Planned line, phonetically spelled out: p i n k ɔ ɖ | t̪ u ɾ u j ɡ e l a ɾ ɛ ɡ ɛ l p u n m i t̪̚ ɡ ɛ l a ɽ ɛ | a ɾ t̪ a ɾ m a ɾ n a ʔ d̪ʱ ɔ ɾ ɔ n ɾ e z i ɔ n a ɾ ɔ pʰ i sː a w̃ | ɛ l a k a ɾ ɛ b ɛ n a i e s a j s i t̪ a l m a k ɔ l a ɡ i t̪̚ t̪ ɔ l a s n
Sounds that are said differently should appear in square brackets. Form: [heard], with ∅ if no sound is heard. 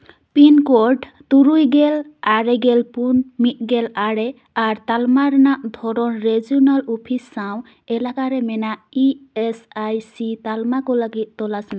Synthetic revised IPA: p i n k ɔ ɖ | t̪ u ɾ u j ɡ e l a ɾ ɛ ɡ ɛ l p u n m i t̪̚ ɡ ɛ l a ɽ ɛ | a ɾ t̪ a [l] m a ɾ n a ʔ d̪ʱ ɔ ɾ ɔ n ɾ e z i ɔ n a [l] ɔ pʰ i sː a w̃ | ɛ l a k a ɾ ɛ [m] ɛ n a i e s a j s i t̪ a l m a k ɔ l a ɡ i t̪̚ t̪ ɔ l a s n